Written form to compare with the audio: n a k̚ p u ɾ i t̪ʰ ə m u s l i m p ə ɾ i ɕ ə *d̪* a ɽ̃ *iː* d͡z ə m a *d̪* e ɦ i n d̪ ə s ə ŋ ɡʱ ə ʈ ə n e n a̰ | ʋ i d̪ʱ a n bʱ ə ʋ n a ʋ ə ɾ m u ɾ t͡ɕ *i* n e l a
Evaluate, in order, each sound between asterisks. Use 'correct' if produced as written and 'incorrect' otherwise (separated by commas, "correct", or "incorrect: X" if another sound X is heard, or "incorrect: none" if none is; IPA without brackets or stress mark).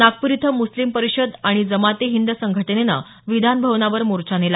correct, incorrect: i, incorrect: t̪, incorrect: a